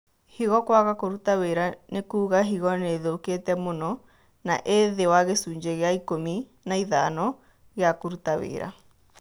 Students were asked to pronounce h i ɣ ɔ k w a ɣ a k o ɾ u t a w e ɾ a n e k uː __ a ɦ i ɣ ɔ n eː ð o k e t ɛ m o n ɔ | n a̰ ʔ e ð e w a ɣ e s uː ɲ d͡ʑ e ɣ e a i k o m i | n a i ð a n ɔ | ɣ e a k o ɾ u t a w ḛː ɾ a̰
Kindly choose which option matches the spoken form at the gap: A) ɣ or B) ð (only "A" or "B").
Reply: A